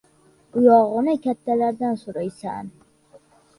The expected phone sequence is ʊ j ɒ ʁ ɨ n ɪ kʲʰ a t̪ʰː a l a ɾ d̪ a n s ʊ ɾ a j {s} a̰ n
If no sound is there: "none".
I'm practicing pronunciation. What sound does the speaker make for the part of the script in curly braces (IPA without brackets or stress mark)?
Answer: s